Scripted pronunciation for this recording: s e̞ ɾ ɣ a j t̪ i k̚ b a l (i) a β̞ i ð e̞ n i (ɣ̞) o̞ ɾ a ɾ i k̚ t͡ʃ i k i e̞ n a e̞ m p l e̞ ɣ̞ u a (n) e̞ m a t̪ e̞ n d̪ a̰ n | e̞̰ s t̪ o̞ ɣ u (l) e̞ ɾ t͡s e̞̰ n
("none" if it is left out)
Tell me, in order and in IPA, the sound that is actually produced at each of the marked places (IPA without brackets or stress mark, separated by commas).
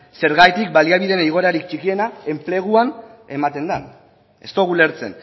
i, ɣ̞, n, l